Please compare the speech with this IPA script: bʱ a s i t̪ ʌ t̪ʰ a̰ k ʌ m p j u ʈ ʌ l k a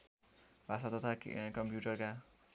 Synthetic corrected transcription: bʱ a s a t̪ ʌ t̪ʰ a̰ k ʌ m p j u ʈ ʌ r k a